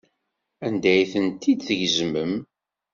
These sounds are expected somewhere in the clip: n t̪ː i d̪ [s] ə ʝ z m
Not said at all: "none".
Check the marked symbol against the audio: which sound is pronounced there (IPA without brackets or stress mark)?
θ